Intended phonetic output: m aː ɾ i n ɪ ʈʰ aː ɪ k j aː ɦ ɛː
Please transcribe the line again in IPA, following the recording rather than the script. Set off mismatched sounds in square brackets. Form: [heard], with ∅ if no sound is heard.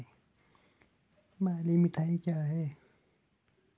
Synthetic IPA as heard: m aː [l] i [m] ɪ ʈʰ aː [i] k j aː ɦ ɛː

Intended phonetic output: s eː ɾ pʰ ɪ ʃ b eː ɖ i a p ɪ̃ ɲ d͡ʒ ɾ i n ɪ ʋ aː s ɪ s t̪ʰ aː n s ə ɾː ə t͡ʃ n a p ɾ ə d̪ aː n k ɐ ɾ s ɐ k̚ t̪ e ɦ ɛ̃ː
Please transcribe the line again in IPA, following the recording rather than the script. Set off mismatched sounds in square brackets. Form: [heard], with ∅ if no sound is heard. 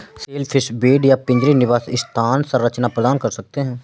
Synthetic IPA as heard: s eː [l] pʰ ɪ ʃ b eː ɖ [j] a p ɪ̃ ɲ d͡ʒ ɾ i n ɪ ʋ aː s ɪ s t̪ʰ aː n s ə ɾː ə t͡ʃ n a p ɾ ə d̪ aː n k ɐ ɾ s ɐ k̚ t̪ e ɦ ɛ̃ː

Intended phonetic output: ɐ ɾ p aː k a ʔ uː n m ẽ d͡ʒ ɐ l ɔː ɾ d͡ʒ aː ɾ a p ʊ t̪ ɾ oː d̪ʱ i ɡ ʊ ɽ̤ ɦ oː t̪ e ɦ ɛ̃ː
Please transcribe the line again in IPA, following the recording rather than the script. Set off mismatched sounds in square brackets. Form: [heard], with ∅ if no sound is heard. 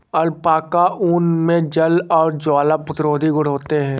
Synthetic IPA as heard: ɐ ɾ p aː k a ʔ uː n m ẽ d͡ʒ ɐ l ɔː ɾ d͡ʒ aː [l] a p ʊ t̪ ɾ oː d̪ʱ i ɡ ʊ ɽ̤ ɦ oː t̪ e ɦ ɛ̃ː

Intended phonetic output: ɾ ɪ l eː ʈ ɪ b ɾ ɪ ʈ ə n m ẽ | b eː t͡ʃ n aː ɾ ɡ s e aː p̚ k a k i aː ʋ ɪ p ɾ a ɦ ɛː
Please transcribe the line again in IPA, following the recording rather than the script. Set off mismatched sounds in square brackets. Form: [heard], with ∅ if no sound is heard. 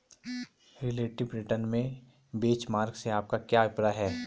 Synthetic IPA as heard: ɾ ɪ l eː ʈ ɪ b ɾ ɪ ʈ ə n m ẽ | b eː t͡ʃ [m] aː ɾ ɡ s e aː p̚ k a k [j] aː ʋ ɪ p ɾ a ɦ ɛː

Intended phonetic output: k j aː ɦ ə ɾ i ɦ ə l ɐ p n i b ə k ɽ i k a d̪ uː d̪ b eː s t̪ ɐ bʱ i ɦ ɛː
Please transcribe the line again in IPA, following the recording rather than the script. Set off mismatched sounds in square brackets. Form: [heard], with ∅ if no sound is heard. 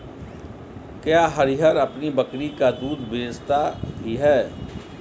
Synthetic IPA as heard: k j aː ɦ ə ɾ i ɦ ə [ɾ] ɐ p n i b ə k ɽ i k a d̪ uː d̪ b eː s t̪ [a] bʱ i ɦ ɛː

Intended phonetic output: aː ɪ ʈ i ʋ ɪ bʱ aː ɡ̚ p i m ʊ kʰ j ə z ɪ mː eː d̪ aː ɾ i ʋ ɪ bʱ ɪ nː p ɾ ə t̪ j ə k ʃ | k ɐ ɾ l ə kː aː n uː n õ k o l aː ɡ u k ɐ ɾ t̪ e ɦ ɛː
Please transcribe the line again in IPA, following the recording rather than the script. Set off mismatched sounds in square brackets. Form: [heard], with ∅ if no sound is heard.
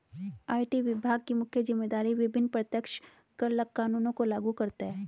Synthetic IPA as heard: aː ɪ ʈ i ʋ ɪ bʱ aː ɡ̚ [k] i m ʊ kʰ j ə z ɪ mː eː d̪ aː ɾ i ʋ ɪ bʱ ɪ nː p ɾ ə t̪ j ə k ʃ | k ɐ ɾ l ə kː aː n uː n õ k o l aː ɡ u k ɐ ɾ t̪ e ɦ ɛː

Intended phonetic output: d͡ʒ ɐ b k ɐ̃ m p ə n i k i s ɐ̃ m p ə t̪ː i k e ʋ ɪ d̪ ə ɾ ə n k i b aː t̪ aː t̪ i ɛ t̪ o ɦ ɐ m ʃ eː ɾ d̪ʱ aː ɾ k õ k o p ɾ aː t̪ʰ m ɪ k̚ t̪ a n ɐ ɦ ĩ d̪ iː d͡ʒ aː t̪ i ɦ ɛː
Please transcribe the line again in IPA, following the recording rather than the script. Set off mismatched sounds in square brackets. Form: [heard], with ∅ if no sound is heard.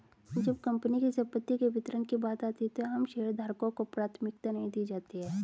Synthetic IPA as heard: d͡ʒ ɐ b k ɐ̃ m p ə n i k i s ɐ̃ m p ə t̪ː i k e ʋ ɪ [t̪] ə ɾ ə n k i b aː t̪ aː t̪ i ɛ t̪ o ɦ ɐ m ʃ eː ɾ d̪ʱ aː ɾ k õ k o p ɾ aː t̪ʰ m ɪ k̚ t̪ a n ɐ ɦ ĩ d̪ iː d͡ʒ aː t̪ i ɦ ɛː

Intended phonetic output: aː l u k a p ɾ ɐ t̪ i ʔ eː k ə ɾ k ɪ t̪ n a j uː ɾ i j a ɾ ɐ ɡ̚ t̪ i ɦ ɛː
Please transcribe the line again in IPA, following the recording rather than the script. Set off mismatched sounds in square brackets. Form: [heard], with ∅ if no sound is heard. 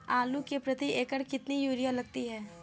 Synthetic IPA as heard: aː l u k [e] p ɾ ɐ t̪ i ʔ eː k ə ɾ k ɪ t̪ n [i] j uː ɾ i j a [l] ɐ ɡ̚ t̪ i ɦ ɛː

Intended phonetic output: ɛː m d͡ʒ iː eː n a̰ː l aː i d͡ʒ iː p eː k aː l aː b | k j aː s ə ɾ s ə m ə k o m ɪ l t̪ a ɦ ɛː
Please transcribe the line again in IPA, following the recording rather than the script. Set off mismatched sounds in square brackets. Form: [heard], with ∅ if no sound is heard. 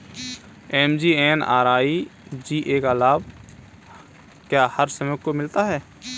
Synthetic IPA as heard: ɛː m d͡ʒ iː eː n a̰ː [ɾ] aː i d͡ʒ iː [ʔ] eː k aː l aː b | k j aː [h] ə ɾ s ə m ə k o m ɪ l t̪ a ɦ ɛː

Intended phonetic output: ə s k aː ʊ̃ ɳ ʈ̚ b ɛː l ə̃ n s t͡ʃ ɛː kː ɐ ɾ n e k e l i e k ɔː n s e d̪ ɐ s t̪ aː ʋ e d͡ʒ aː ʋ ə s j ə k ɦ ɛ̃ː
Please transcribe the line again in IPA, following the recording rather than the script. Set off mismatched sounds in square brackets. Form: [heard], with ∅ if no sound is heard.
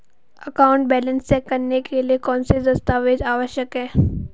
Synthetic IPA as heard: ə [∅] k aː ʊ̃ ɳ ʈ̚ b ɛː l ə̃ n s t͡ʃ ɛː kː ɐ ɾ n e k e l i e k ɔː n s e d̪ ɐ s t̪ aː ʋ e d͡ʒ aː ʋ ə [ʃ] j ə k ɦ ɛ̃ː

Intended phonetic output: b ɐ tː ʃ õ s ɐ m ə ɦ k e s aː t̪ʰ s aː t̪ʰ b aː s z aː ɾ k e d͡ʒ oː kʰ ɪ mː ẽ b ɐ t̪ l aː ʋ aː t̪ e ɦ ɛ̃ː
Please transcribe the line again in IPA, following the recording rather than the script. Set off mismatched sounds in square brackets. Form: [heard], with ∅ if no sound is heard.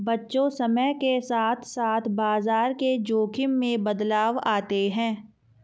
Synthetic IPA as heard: b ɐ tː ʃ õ s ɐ m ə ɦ k e s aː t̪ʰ s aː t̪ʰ b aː [∅] z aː ɾ k e d͡ʒ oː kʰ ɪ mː ẽ b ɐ [d̪] l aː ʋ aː t̪ e ɦ ɛ̃ː

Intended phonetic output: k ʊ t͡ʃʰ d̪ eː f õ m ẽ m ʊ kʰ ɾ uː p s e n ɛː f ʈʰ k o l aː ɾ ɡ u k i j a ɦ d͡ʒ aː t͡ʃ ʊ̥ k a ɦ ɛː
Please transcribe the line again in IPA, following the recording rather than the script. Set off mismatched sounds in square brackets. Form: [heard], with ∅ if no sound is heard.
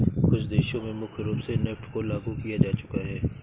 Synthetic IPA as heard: k ʊ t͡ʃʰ d̪ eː [ʃ] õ m ẽ m ʊ kʰ ɾ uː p s e n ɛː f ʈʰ k o l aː [∅] ɡ u k i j a [∅] d͡ʒ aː t͡ʃ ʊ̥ k a ɦ ɛː

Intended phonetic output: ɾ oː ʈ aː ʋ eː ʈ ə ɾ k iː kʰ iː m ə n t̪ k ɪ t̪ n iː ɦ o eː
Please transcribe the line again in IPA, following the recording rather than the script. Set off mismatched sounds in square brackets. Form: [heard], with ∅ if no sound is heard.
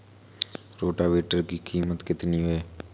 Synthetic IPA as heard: ɾ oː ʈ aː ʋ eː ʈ ə ɾ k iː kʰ iː m ə [∅] t̪ k ɪ t̪ n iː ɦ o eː

